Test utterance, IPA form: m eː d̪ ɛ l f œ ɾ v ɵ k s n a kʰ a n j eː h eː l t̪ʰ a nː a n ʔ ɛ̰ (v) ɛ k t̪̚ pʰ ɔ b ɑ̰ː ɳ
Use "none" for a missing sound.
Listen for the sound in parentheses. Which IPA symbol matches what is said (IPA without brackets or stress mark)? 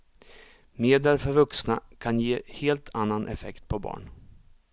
f